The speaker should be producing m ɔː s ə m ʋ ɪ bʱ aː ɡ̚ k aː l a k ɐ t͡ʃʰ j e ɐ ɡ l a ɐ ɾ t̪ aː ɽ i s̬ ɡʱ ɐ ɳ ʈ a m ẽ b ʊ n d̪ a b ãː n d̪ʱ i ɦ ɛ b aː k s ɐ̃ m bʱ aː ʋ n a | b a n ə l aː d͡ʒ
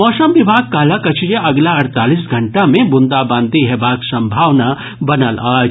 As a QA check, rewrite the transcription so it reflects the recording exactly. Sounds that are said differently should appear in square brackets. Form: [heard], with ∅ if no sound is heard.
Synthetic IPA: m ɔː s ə m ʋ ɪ bʱ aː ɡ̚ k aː l a k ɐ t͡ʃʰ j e ɐ ɡ l a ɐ ɾ t̪ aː [l] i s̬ ɡʱ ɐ ɳ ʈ a m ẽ b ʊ n d̪ a b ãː n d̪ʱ i ɦ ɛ b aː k s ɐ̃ m bʱ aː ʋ n a | b [ɐ] n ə l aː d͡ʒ